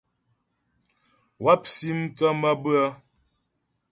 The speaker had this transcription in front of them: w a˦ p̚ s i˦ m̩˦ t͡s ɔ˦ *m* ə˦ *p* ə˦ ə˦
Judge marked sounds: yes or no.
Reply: yes, no

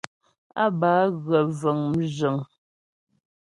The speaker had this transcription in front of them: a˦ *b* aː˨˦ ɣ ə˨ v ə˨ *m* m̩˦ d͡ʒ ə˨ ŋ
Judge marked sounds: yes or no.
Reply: yes, no

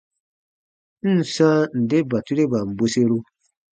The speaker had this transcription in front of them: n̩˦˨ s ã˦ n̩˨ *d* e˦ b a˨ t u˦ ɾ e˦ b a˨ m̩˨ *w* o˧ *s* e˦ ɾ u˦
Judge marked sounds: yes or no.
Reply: yes, no, yes

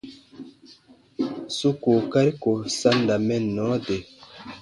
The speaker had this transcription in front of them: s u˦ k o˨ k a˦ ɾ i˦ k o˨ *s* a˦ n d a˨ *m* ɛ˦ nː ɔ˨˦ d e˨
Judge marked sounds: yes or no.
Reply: yes, yes

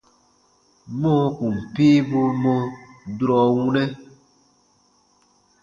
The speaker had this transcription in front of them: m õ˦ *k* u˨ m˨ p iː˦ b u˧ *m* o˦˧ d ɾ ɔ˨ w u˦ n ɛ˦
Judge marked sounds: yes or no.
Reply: yes, yes

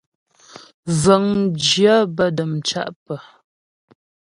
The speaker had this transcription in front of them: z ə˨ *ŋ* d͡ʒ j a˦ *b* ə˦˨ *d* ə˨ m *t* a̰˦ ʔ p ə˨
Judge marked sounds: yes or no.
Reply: yes, yes, yes, no

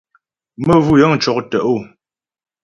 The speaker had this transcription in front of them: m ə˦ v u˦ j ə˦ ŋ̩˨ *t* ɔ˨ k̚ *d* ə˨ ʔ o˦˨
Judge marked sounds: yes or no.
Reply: no, no

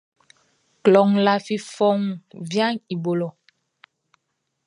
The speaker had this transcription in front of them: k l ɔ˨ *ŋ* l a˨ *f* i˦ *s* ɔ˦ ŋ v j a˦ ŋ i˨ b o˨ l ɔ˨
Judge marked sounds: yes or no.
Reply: yes, yes, no

